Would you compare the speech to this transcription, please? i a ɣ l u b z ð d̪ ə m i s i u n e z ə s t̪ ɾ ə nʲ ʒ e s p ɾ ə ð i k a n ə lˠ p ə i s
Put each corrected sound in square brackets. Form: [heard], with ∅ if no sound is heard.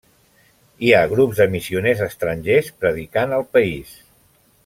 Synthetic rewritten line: i a ɣ [ɾ] u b z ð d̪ ə m i s i u n e z ə s t̪ ɾ ə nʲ ʒ e s p ɾ ə ð i k a n ə lˠ p ə i s